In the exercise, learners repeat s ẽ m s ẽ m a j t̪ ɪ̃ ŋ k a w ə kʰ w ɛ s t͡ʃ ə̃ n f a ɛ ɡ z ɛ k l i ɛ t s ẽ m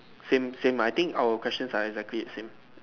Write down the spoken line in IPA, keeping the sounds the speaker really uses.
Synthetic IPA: s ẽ m s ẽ m a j t̪ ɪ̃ ŋ k a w ə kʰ w ɛ s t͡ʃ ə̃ n s a ɛ ɡ z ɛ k l i ɛ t s ẽ m